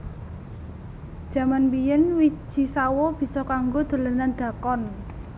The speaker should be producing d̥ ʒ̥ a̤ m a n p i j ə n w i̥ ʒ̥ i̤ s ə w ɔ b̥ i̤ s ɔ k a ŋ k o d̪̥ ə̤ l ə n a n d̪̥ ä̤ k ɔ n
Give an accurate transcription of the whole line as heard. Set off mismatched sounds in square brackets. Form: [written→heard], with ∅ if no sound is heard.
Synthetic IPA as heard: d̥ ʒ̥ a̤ m a n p i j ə n w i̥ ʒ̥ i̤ s [ə→a] w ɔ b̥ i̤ s ɔ k a ŋ [k→ɡ] o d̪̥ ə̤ l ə n a n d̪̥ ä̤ k ɔ n

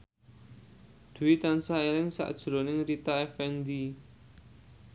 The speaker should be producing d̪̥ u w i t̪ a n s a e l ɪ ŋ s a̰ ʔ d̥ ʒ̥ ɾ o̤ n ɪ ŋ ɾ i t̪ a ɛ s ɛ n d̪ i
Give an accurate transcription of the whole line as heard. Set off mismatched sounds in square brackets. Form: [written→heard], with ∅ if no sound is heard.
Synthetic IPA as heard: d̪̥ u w i t̪ a n s a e l ɪ ŋ s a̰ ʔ d̥ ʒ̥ ɾ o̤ n ɪ ŋ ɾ i t̪ a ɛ [s→f] ɛ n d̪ i

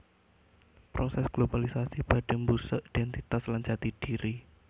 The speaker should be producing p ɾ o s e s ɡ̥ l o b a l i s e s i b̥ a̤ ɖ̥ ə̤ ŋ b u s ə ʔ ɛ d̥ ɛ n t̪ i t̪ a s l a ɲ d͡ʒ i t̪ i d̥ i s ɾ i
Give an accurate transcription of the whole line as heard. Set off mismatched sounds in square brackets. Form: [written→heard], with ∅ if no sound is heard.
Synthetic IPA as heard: p ɾ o s [e→ɛ] s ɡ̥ l o b a l i s [e→a] s i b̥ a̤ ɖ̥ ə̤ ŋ b u s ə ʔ [ɛ→i] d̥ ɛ n t̪ i t̪ a s l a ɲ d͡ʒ [i→a] t̪ i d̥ i [s→∅] ɾ i

